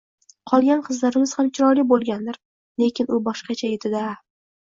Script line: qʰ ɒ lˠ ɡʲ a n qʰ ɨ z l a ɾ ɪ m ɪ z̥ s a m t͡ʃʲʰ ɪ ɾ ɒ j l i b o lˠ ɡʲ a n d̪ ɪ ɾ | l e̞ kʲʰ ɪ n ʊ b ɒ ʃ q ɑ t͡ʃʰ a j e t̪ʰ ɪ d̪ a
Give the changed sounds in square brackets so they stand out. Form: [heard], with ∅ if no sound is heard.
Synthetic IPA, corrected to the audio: qʰ ɒ lˠ ɡʲ a n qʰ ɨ z l a ɾ ɪ m ɪ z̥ [h] a m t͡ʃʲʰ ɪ ɾ ɒ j l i b o lˠ ɡʲ a n d̪ ɪ ɾ | l e̞ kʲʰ ɪ n ʊ b ɒ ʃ q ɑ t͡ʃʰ a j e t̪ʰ ɪ d̪ a